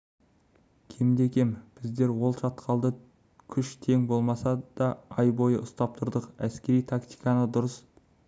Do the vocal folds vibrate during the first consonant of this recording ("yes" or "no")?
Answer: no